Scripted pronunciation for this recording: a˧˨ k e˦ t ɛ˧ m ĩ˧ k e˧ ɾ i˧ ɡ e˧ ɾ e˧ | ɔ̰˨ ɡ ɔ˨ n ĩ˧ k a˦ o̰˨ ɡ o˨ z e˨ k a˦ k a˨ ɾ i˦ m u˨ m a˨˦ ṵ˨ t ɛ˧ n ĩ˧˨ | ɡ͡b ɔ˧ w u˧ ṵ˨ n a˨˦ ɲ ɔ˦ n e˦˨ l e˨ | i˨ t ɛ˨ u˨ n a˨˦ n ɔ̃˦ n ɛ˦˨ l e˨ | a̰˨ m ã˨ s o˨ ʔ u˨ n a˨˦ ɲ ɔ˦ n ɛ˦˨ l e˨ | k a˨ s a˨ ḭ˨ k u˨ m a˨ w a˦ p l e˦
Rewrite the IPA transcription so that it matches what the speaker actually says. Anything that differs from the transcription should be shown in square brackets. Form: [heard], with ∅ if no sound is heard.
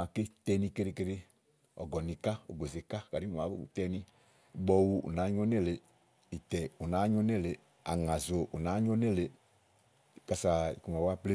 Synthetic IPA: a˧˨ k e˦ t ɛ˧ [n] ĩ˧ k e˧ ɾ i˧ [k] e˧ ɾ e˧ | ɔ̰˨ ɡ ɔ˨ n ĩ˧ k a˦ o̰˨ ɡ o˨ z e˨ k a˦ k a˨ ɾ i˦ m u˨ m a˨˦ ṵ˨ t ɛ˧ n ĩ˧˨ | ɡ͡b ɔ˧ w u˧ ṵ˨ n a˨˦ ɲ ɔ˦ n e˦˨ l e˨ | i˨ t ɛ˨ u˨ n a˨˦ [ɲ] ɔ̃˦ n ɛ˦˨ l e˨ | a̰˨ [ŋ] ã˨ [z] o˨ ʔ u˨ n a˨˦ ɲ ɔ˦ n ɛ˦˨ l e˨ | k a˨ s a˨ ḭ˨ k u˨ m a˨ w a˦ p l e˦

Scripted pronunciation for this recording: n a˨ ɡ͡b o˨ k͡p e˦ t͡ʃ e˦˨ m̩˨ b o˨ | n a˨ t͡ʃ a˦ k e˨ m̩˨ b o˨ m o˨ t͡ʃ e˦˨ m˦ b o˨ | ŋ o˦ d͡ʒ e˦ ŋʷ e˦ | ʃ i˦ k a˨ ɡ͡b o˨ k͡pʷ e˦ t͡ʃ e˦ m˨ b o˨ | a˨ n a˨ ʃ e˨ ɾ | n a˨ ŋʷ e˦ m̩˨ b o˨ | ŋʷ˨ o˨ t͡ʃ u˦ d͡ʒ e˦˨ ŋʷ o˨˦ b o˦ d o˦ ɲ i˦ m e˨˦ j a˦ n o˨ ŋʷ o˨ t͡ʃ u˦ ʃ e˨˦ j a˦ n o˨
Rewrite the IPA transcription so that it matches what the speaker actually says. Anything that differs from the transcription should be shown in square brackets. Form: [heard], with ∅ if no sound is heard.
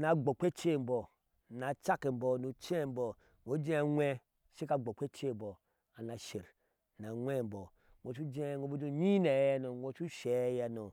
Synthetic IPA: n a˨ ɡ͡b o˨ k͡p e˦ t͡ʃ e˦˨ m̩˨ b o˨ | n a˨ t͡ʃ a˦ k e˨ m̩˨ b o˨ [n] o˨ t͡ʃ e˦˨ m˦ b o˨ | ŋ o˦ d͡ʒ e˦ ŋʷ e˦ | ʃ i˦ k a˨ ɡ͡b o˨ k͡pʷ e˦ t͡ʃ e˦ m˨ b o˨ | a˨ n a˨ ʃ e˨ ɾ | n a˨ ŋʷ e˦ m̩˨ b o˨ | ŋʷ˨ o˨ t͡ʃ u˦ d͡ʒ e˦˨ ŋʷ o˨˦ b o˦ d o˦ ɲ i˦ [n] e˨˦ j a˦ n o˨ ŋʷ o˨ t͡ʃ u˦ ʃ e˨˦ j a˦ n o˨

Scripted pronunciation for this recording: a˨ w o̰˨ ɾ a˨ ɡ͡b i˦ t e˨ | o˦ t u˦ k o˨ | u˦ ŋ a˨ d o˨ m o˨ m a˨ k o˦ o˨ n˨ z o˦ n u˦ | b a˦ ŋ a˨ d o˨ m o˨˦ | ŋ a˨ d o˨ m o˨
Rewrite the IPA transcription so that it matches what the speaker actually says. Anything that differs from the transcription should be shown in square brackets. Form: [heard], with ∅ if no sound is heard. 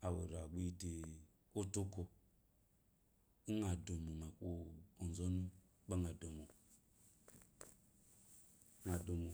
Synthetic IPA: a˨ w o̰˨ ɾ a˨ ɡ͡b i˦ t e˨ | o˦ t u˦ k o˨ | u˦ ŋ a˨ d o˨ m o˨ m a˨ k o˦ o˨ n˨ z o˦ n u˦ | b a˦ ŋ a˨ d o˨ m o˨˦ | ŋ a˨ d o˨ m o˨

